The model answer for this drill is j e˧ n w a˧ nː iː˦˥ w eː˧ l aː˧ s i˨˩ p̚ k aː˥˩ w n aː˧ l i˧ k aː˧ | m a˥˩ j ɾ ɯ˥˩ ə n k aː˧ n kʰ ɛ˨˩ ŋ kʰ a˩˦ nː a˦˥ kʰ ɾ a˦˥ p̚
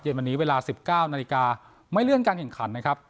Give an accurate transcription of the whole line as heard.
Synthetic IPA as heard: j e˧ n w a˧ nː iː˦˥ w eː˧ l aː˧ s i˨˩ p̚ k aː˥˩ w n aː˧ l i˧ k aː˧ | m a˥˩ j l ɯ˥˩ ə n k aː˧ n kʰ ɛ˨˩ ŋ kʰ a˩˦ nː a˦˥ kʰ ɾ a˦˥ p̚